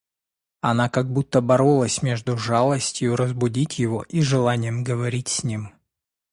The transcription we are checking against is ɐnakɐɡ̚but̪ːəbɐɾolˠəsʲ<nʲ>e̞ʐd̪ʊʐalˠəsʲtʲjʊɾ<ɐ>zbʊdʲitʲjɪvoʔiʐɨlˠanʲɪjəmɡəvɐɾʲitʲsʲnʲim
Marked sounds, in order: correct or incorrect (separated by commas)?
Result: incorrect, incorrect